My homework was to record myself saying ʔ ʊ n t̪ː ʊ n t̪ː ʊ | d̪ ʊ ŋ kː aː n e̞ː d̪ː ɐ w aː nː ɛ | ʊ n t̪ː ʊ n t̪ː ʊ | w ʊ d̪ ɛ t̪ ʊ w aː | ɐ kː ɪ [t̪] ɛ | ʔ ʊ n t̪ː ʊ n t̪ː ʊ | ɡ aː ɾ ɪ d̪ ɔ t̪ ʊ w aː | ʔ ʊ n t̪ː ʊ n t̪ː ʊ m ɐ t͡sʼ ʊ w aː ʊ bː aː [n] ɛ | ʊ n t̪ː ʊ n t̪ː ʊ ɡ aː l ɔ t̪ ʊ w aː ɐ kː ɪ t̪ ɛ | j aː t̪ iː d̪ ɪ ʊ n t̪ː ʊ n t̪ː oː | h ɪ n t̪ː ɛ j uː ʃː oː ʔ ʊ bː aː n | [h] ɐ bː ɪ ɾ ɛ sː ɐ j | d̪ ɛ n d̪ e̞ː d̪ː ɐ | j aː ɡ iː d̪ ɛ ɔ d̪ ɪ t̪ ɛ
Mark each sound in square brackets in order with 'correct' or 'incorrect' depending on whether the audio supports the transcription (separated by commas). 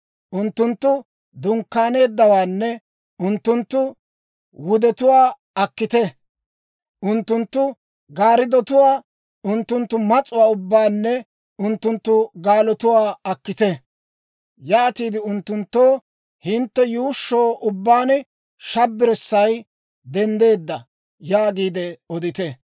correct, incorrect, incorrect